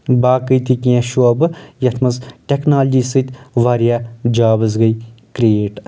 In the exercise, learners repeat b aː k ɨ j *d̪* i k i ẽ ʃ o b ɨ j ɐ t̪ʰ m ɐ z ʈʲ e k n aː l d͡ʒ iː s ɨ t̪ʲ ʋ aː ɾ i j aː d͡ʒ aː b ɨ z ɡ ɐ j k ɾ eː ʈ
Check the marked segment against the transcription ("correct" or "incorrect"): incorrect